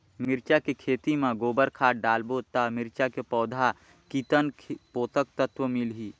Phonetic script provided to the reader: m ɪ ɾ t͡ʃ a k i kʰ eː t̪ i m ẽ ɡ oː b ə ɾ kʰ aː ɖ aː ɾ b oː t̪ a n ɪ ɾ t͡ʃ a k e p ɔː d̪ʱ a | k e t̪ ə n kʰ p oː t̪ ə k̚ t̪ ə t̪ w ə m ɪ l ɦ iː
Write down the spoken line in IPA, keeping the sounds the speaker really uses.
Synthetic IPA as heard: m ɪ ɾ t͡ʃ a k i kʰ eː t̪ i m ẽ ɡ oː b ə ɾ kʰ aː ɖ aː l b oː t̪ a m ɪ ɾ t͡ʃ a k e p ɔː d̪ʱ a | k i t̪ ə n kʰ p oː t̪ ə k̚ t̪ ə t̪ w ə m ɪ l ɦ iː